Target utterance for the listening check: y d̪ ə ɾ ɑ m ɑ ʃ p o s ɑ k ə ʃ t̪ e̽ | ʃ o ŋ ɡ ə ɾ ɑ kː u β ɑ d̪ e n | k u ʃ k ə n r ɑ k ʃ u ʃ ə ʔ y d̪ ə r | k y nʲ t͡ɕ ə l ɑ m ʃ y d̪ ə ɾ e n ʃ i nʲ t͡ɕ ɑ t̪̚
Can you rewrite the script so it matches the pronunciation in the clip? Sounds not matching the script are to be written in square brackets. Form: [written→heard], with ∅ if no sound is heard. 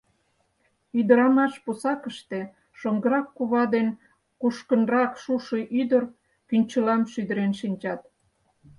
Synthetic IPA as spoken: y d̪ ə ɾ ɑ m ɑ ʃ p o s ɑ k ə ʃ t̪ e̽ | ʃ o ŋ ɡ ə ɾ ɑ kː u β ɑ d̪ e n | k u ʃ k ə n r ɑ k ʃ u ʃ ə ʔ y d̪ ə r | k y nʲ t͡ɕ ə l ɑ m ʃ y d̪ ə ɾ e n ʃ i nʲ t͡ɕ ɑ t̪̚